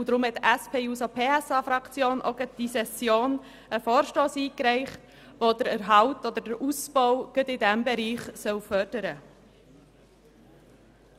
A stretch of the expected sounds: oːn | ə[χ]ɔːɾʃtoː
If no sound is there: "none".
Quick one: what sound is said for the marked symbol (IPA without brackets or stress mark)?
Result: f